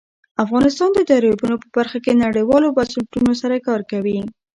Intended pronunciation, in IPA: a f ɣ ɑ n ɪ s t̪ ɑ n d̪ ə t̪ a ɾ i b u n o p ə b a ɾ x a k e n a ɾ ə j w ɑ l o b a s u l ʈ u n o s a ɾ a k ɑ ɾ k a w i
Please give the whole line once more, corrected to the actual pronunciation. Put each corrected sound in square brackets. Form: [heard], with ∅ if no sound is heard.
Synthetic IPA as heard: a f ɣ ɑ n ɪ s t̪ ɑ n d̪ ə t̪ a ɾ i b u n o p ə b a ɾ x a k e n a [ɽ] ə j w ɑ l o b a s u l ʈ u n o s a ɾ a k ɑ ɾ k a w i